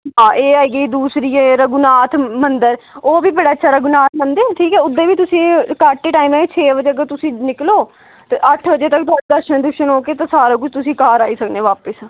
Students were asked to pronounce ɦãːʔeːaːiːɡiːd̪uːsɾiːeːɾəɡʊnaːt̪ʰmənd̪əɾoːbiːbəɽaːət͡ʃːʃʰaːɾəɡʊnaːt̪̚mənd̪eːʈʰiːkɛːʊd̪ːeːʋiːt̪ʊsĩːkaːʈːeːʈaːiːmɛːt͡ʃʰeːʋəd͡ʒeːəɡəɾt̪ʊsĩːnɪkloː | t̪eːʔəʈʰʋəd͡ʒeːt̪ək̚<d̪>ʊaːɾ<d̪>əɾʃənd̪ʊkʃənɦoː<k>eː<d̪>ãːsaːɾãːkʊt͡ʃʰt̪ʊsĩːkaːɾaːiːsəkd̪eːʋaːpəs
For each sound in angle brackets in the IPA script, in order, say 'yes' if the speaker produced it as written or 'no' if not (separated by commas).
no, yes, yes, no